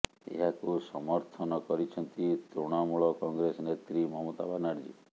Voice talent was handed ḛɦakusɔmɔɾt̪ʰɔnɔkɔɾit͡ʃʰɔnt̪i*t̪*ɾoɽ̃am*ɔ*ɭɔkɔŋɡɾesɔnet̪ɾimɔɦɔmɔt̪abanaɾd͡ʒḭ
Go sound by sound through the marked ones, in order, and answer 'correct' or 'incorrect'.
correct, incorrect

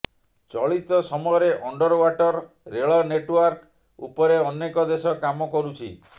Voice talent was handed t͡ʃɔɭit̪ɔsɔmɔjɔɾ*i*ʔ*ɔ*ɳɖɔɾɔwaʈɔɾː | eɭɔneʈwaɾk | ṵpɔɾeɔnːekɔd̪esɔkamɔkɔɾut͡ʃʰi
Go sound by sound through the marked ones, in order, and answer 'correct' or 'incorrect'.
incorrect, correct

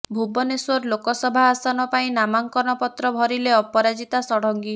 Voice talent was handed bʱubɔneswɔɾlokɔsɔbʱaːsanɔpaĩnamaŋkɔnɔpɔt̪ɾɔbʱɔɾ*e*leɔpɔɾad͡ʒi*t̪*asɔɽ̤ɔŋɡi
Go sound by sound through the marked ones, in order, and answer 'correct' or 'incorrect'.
incorrect, correct

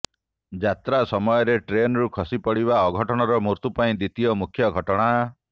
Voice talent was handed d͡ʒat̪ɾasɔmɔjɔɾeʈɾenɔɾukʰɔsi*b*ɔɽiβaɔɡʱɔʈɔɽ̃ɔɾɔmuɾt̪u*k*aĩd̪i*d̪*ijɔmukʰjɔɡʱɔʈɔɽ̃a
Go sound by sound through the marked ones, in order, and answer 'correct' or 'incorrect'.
incorrect, incorrect, incorrect

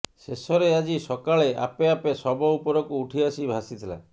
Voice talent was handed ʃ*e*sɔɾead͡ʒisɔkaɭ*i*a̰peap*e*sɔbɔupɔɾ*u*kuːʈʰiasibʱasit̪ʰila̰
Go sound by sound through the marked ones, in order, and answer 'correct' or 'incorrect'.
correct, incorrect, correct, incorrect

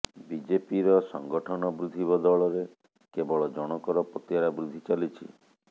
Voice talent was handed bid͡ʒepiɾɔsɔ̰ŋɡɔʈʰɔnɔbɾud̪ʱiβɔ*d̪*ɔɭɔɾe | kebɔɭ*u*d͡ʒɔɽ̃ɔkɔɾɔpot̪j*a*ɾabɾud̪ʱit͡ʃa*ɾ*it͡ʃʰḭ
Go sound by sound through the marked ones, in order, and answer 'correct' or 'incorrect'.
correct, incorrect, correct, incorrect

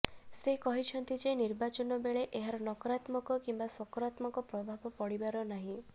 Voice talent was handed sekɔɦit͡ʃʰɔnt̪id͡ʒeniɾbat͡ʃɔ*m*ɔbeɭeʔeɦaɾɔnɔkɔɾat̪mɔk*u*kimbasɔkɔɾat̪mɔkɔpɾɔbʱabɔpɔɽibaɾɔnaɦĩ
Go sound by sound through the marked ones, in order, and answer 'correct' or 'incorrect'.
incorrect, incorrect

